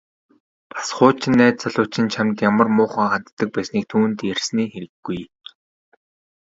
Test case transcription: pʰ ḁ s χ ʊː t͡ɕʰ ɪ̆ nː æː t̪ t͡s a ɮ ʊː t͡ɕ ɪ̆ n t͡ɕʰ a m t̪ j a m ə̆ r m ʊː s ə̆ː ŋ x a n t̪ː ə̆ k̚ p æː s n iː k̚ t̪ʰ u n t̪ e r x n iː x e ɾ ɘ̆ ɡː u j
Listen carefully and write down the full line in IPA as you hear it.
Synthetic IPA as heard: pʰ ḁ s χ ʊː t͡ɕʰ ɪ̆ nː æː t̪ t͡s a ɮ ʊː t͡ɕ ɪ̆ n t͡ɕʰ a m t̪ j a m ə̆ r m ʊː χ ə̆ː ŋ χ a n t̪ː ə̆ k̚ p æː s n iː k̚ t̪ʰ uː n t̪ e r s n iː x e ɾ ɘ̆ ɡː u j

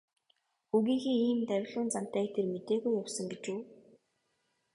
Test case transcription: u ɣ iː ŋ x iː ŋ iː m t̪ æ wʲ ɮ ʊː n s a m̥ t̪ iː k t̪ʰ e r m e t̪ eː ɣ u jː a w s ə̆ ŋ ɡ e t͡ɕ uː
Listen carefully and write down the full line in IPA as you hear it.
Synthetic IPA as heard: u ɣ iː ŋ x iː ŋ iː m t̪ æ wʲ ɮ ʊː n t͡s a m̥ t̪ æː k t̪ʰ e r m e t̪ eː ɣ u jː a w s ə̆ ŋ ɡ e t͡ɕ uː

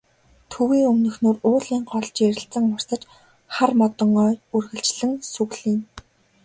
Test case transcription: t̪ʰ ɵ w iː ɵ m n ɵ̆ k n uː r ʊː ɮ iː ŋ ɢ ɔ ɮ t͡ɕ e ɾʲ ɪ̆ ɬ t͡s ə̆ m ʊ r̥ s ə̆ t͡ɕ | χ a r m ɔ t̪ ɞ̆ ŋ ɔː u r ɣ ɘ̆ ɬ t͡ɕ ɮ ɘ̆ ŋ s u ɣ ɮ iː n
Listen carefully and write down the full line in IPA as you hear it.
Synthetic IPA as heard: t̪ʰ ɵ w iː ɵ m n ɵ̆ x n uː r ʊː ɮ iː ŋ ɢ ɔ ɮ t͡ɕ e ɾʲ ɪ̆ ɬ t͡s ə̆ ŋ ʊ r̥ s ə̆ t͡ɕ | χ a r m ɔ t̪ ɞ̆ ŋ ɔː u r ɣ ɘ̆ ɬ t͡ɕ ɮ ɘ̆ ŋ s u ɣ ɮ iː n

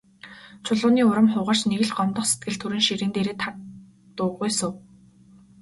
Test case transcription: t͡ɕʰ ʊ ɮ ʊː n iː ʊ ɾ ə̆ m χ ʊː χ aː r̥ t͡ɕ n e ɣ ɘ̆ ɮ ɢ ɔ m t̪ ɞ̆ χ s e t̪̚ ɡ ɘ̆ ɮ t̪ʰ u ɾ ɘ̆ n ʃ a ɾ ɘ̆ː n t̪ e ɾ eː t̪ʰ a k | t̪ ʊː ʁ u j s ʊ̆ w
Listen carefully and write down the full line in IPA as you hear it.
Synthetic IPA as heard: t͡ɕʰ ʊ ɮ ʊː n iː ʊ ɾ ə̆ m χ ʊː ʁ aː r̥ t͡ɕ n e ɣ ɘ̆ ɮ ɢ ɔ m t̪ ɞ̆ χ s e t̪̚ ɡ ɘ̆ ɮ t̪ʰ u ɾ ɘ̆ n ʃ i ɾ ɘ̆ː n t̪ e ɾ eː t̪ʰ a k | t̪ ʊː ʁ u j s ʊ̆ w

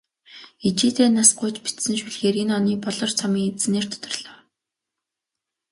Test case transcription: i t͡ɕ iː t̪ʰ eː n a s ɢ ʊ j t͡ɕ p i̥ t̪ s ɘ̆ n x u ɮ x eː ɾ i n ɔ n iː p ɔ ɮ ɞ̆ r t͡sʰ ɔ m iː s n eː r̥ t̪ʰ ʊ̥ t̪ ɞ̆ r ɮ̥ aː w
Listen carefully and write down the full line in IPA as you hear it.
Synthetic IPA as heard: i t͡ɕ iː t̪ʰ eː n a s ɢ ʊ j t͡ɕ p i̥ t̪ s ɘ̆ n ʃ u ɮ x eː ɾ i n ɔ n iː p ɔ ɮ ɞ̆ r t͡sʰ ɔ m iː t͡s n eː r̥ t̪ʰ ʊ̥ t̪ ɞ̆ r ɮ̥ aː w

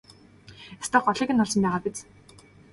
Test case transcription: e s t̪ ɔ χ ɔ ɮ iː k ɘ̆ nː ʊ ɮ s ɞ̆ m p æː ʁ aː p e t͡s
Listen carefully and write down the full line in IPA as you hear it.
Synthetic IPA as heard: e s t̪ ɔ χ ɔ ɮ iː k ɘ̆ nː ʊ ɮ s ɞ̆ m p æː ʁ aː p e t͡s

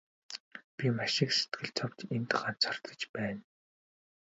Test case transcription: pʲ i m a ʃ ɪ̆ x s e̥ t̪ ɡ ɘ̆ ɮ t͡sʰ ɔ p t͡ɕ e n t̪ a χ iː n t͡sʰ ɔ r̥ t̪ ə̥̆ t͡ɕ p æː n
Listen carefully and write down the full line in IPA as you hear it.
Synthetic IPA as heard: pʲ i m a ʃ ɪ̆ k s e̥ t̪ ɡ ɘ̆ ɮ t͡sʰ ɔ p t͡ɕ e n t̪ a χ aː n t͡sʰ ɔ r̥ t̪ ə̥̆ t͡ɕ p æː n

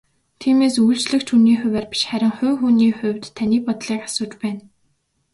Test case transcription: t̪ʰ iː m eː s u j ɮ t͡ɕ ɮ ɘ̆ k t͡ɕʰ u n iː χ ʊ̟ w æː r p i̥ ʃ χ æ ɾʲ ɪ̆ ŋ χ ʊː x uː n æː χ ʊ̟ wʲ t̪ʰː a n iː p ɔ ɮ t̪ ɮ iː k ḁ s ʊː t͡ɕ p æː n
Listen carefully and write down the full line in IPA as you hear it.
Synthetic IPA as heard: t̪ʰ iː m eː s u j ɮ t͡ɕ ɮ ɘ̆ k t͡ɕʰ u n iː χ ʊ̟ w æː r p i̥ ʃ χ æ ɾʲ ɪ̆ ŋ χ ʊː x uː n iː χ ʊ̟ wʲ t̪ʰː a n iː p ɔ t̪ ɮ iː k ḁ s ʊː t͡ɕ p æː n

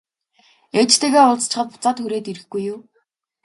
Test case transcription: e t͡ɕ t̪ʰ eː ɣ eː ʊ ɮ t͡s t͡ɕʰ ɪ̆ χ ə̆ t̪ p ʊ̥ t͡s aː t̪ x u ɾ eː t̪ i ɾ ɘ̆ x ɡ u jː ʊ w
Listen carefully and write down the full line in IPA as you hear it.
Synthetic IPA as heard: e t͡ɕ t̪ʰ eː ɣ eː ʊ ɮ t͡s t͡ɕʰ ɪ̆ χ ə̆ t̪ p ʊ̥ t͡s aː t̪ x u ɾ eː t̪ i ɾ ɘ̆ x ɡ u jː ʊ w

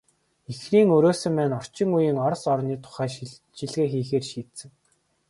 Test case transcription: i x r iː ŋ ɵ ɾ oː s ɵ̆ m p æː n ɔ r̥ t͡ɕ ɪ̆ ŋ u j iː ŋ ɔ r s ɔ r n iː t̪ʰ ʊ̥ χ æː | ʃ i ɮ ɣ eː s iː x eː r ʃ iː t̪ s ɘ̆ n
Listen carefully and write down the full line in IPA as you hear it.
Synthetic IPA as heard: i x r iː ŋ ɵ ɾ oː s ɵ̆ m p æː n ɔ r̥ t͡ɕ ɪ̆ ŋ u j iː ŋ ɔ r s ɔ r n iː t̪ʰ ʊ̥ χ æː | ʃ i ɮ ɣ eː x iː x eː r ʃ iː t̪ s ɘ̆ ŋ

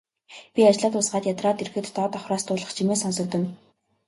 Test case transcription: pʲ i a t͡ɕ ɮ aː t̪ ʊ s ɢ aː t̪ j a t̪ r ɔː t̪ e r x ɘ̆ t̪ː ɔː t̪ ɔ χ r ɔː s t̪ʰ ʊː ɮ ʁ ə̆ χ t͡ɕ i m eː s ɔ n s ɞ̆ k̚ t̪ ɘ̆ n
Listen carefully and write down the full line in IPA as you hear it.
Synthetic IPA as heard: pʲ i a t͡ɕ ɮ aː t̪ ʊ s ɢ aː t̪ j a t̪ r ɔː t̪ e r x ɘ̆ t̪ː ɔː t̪ ɔ χ r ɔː s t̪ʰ ʊː ɮ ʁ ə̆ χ t͡ɕʰ i m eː s ɔ n s ɞ̆ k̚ t̪ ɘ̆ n

